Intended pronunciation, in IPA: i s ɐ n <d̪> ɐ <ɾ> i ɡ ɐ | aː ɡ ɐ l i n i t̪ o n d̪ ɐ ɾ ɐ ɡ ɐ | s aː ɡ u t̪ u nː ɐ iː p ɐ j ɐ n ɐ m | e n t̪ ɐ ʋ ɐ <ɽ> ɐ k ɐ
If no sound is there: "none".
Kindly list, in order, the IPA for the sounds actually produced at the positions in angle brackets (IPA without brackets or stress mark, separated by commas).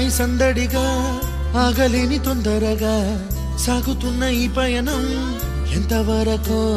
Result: d̪, ɽ, ɾ